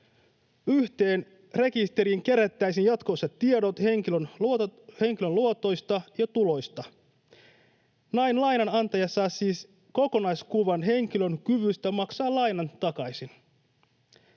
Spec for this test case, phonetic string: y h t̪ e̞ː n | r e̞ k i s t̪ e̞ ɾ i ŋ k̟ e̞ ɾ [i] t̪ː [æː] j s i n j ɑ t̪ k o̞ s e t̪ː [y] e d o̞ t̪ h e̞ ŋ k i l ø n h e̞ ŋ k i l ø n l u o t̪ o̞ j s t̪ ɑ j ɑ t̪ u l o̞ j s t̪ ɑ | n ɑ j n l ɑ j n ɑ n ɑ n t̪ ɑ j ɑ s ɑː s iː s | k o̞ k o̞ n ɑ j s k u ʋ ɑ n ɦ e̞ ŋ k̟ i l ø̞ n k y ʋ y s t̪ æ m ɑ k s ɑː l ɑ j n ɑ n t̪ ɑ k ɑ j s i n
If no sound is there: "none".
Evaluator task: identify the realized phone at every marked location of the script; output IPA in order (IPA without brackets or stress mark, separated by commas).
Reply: æ, æ, i